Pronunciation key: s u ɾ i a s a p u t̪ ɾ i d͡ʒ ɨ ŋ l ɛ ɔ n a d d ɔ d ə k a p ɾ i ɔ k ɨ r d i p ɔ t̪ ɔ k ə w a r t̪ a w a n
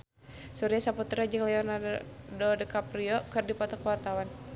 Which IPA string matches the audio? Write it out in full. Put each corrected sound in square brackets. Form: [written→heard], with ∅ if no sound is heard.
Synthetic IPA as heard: s u ɾ i a s a p u t̪ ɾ [i→a] d͡ʒ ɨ ŋ l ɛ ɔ n a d d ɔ d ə k a p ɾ i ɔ k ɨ r d i p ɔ t̪ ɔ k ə w a r t̪ a w a n